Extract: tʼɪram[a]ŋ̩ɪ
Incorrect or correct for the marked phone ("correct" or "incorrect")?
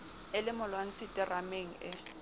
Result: incorrect